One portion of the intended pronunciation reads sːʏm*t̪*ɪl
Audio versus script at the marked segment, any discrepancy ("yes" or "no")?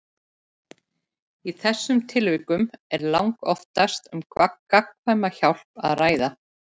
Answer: yes